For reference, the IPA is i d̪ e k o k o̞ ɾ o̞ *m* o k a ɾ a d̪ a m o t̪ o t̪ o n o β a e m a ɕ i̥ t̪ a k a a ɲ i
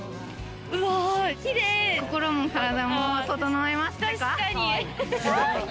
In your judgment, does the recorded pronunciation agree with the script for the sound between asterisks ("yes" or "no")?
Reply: yes